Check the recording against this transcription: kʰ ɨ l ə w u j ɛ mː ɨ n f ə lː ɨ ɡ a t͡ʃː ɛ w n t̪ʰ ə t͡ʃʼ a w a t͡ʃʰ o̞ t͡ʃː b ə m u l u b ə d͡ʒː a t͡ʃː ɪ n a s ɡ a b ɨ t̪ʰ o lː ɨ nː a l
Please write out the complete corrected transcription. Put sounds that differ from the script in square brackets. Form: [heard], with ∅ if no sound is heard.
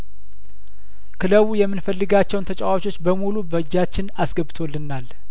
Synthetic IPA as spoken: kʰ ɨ l ə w u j ɛ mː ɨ n f ə lː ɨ ɡ a t͡ʃː ɛ w n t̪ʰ ə t͡ʃʼ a w a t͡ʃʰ o̞ t͡ʃː b ə m u l u b ə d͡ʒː a t͡ʃː ɪ n a s ɡ [ə] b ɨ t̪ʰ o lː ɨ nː a l